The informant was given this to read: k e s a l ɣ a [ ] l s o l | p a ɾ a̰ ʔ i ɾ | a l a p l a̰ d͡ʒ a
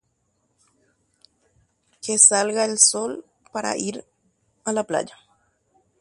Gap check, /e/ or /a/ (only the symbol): e